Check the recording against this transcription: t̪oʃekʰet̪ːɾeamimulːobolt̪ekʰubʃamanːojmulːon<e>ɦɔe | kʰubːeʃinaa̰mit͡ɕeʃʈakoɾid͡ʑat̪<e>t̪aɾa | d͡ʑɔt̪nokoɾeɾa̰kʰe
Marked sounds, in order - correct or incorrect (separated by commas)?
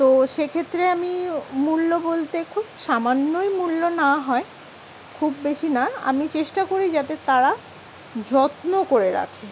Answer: incorrect, correct